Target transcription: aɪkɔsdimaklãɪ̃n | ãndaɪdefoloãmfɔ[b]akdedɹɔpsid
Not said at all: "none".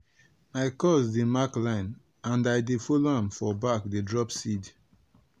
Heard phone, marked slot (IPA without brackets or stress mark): b